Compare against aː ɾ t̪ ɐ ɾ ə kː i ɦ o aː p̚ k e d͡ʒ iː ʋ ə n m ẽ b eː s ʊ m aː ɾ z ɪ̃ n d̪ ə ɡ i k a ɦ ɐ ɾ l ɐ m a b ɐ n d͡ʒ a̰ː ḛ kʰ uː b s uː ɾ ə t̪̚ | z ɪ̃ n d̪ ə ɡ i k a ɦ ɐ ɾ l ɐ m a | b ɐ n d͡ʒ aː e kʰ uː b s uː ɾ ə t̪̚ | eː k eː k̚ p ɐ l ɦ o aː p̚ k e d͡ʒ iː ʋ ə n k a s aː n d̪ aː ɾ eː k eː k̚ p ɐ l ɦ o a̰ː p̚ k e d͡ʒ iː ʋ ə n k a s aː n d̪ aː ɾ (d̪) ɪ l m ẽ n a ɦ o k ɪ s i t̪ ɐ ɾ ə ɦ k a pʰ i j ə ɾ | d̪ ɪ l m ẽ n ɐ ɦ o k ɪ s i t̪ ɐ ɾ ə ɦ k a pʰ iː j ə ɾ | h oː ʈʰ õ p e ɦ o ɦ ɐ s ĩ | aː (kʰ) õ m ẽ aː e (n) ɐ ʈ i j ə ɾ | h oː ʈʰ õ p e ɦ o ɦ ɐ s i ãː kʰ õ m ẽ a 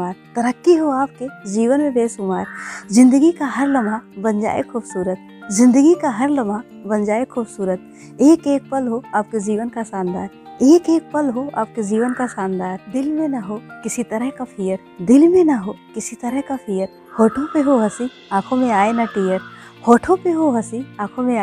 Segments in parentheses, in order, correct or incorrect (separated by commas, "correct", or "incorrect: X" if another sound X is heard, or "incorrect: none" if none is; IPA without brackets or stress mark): correct, correct, correct